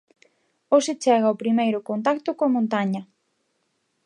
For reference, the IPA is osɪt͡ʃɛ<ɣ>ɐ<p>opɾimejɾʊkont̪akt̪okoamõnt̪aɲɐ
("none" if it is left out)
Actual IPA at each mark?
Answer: ɣ, none

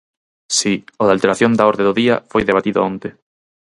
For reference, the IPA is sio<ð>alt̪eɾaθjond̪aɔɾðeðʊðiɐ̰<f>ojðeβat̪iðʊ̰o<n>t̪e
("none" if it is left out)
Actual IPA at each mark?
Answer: ð, f, n

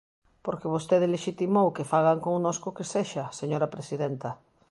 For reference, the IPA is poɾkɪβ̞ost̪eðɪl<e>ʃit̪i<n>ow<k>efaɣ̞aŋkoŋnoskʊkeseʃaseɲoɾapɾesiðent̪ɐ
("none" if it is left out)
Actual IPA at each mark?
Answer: e, m, k

